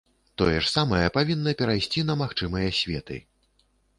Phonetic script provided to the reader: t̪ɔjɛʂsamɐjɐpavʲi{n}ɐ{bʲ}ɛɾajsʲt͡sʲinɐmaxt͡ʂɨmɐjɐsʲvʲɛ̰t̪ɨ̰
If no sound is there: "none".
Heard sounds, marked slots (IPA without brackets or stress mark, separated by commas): nː, pʲ